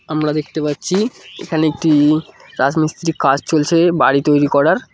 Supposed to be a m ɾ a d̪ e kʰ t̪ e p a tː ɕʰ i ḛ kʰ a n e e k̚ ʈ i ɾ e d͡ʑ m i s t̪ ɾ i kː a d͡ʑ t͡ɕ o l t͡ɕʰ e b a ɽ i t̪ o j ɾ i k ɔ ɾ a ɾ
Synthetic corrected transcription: a m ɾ a d̪ e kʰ t̪ e p a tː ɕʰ i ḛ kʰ a n e e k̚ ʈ i ɾ a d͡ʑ m i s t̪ ɾ i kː a d͡ʑ t͡ɕ o l t͡ɕʰ e b a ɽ i t̪ o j ɾ i k ɔ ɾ a ɾ